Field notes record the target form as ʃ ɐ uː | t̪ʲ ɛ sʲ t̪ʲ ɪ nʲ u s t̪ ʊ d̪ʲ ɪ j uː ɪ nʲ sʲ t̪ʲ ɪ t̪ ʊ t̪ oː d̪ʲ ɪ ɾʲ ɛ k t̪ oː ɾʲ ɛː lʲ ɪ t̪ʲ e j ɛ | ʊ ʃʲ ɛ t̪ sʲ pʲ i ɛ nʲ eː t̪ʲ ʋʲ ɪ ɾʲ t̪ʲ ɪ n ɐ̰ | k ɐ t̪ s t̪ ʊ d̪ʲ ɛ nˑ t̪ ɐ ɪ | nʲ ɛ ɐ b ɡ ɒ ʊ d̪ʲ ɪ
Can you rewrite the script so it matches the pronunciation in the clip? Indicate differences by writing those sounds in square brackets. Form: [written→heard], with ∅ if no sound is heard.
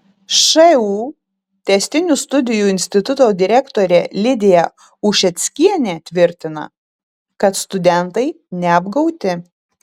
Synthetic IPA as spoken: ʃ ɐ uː | t̪ʲ ɛ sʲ t̪ʲ ɪ nʲ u s t̪ ʊ d̪ʲ ɪ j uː ɪ nʲ sʲ t̪ʲ ɪ t̪ ʊ t̪ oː d̪ʲ ɪ ɾʲ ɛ k t̪ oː ɾʲ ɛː lʲ ɪ [t̪ʲ→d̪ʲ] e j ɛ | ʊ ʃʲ ɛ t̪ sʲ [pʲ→kʲ] i ɛ nʲ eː t̪ʲ ʋʲ ɪ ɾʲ t̪ʲ ɪ n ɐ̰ | k ɐ t̪ s t̪ ʊ d̪ʲ ɛ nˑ t̪ ɐ ɪ | nʲ ɛ ɐ b ɡ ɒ ʊ [d̪ʲ→t̪ʲ] ɪ